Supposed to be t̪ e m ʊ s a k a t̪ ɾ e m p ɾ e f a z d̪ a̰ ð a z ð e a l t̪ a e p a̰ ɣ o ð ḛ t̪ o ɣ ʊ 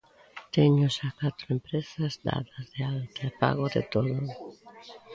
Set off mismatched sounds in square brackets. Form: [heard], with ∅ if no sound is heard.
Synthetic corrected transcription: t̪ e [ɲ] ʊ s a k a t̪ ɾ e m p ɾ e [s] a z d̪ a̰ ð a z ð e a l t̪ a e p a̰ ɣ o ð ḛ t̪ o [ð] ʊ